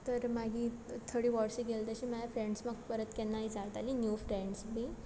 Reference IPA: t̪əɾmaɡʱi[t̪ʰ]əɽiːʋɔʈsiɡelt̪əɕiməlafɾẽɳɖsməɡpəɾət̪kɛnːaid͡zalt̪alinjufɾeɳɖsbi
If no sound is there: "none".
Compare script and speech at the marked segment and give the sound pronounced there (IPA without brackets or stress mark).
t̪ʰ